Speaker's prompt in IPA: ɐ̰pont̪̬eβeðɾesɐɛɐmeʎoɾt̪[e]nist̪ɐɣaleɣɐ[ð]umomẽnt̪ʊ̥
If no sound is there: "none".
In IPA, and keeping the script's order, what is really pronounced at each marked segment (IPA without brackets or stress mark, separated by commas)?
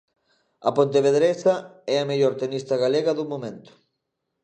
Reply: e, ð